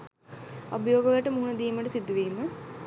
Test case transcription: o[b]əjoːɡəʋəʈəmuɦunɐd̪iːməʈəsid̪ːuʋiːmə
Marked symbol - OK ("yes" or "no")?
yes